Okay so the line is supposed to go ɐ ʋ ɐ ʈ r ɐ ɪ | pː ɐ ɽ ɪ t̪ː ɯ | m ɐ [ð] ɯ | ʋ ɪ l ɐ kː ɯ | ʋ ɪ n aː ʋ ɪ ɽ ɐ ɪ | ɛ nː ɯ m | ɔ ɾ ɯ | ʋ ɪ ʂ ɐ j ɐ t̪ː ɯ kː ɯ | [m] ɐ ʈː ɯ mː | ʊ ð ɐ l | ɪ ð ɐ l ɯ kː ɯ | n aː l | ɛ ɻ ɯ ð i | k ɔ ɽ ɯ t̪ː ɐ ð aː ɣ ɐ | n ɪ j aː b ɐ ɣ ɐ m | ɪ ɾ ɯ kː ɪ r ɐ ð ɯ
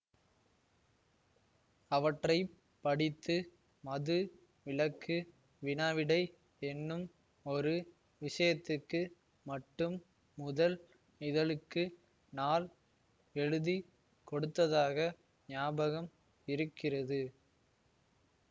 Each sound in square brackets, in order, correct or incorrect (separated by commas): correct, correct